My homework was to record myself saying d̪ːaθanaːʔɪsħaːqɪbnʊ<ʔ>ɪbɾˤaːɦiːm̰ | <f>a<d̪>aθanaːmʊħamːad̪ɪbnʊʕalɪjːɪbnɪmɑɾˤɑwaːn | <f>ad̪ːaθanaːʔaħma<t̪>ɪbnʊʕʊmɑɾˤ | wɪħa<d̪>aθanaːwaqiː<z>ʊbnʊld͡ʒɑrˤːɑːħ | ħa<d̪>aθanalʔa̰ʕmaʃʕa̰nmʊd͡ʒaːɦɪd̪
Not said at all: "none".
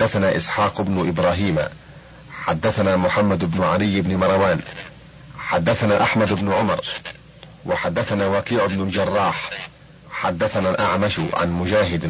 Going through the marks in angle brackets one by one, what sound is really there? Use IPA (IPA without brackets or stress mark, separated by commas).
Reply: ʔ, ħ, d̪ː, ħ, d̪, d̪ː, ʕ, d̪ː